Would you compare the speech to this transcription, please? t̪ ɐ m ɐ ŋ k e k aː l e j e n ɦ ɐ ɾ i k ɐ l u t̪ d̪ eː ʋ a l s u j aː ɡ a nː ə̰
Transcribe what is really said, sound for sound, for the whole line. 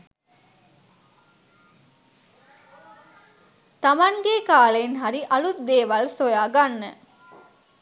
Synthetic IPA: t̪ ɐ m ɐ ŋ ɡ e k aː l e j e n ɦ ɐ ɾ i ʔ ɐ l u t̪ d̪ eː ʋ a l s o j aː ɡ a nː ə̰